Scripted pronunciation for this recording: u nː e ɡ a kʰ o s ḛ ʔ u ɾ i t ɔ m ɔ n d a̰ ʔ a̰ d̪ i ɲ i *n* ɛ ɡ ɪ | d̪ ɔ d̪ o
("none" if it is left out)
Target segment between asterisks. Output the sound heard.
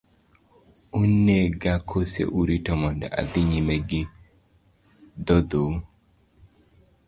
m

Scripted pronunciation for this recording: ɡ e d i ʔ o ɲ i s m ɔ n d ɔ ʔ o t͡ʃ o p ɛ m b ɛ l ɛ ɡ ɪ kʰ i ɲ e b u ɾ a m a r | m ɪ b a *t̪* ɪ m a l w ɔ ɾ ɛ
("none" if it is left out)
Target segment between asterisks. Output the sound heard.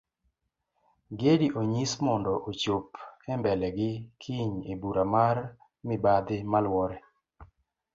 d̪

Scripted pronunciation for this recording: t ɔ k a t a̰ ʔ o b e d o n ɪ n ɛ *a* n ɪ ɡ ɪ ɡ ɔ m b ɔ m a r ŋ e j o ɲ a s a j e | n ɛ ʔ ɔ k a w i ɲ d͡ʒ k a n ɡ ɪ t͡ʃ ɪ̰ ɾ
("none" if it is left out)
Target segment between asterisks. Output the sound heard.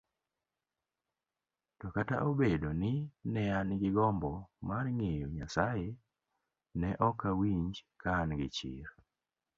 a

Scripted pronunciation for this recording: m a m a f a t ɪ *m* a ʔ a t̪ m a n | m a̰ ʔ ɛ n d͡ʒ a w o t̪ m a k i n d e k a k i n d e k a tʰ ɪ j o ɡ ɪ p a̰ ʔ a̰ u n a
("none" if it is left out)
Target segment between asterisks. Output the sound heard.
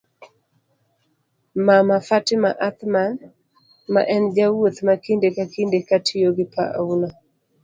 m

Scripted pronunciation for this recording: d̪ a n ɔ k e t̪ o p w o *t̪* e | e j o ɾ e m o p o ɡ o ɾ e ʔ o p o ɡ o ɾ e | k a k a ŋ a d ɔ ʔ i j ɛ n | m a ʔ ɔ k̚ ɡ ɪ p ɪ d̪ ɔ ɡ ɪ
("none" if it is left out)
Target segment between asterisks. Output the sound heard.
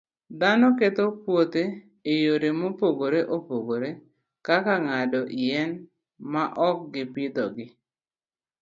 t̪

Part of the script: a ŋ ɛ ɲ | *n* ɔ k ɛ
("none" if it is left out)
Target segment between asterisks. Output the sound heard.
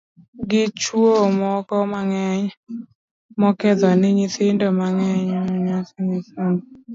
m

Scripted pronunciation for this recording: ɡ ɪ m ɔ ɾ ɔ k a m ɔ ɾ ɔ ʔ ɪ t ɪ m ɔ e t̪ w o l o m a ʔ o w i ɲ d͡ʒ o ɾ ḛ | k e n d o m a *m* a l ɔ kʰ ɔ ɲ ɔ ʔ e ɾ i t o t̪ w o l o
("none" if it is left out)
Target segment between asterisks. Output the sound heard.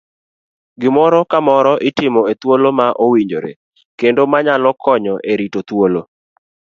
ɲ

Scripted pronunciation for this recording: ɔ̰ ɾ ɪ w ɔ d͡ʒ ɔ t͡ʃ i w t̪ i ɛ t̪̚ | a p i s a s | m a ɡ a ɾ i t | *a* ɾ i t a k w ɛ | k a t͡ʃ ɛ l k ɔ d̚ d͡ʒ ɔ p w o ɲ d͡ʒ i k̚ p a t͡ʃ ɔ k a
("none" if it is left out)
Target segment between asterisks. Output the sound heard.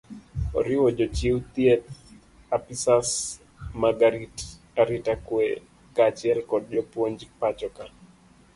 a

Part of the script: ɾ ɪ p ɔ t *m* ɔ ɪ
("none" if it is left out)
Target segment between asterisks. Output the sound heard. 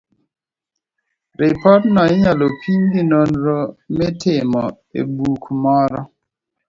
n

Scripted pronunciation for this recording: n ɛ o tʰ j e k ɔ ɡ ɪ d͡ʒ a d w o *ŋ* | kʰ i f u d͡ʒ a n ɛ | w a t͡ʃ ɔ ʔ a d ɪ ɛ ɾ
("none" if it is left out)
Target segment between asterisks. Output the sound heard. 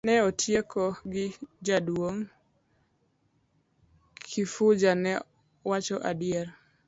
ŋ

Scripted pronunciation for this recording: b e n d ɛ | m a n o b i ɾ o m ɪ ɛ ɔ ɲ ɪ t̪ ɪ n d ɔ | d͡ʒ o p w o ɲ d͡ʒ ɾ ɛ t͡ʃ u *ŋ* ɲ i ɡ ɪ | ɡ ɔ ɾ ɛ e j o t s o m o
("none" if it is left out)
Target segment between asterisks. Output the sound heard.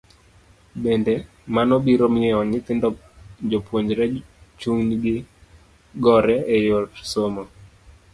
ŋ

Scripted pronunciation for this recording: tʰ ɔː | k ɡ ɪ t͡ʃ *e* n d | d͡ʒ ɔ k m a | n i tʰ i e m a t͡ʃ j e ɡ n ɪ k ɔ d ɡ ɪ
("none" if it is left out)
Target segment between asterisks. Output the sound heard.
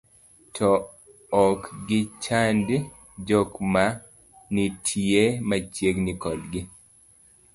a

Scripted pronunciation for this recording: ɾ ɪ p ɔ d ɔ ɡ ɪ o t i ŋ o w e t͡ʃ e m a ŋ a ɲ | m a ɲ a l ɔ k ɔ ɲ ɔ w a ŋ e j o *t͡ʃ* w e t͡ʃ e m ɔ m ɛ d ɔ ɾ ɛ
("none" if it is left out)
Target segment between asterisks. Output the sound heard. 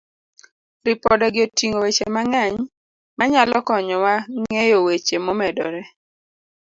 none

